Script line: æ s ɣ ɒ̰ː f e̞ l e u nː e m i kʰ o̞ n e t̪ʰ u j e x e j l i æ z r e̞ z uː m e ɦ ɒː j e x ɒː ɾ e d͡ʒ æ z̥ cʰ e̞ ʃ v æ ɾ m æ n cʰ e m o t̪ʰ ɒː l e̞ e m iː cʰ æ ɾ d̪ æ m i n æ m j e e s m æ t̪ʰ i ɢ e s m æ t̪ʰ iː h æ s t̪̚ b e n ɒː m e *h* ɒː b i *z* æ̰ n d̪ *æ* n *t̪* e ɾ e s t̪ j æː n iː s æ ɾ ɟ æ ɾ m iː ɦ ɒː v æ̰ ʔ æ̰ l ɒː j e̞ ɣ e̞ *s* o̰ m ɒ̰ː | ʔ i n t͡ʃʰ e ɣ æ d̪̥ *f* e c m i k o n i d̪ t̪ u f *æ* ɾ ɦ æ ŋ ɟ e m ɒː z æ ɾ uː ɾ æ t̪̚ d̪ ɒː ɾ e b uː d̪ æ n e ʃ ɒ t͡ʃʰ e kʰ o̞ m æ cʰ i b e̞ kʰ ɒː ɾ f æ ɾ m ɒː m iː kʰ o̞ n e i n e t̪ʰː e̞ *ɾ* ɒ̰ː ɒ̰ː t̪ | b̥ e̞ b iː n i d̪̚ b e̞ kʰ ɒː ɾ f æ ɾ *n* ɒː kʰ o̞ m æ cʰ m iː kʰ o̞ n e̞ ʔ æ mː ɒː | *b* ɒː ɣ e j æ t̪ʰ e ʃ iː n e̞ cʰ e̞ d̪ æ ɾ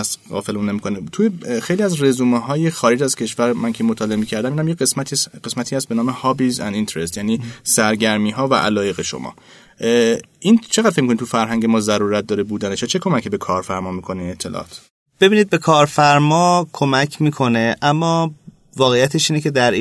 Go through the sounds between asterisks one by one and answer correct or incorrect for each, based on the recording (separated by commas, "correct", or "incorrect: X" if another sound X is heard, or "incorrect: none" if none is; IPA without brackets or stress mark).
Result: correct, correct, incorrect: i, correct, incorrect: ʃ, correct, correct, incorrect: l, incorrect: m, incorrect: v